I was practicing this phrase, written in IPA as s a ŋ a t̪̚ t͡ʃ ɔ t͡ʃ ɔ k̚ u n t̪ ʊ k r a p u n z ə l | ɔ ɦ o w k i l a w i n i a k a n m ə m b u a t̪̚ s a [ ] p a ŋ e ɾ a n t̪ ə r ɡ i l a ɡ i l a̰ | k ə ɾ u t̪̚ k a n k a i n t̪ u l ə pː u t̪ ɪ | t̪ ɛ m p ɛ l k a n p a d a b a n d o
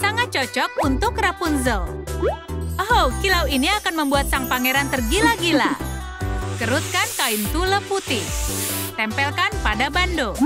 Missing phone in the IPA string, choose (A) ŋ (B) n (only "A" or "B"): A